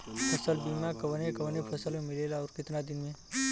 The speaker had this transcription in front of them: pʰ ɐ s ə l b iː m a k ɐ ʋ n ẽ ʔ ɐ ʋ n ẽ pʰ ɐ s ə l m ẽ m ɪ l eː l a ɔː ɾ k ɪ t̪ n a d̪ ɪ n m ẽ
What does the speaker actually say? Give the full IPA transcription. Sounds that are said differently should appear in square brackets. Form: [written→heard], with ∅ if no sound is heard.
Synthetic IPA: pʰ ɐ s ə l b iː m a k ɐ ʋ n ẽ [ʔ→k] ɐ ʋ n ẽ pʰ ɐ s ə l m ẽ m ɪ l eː l a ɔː ɾ k ɪ t̪ n a d̪ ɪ n m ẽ